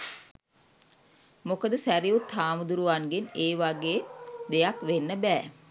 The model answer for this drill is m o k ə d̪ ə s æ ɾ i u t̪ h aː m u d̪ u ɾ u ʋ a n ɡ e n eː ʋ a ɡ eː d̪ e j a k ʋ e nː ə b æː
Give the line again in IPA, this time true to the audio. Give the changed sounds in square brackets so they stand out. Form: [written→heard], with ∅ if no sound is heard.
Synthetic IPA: m o k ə d̪ ə s æ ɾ i u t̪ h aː m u d̪ u ɾ u ʋ a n ɡ e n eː ʋ a ɡ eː d̪ e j a k ʋ e nː ə b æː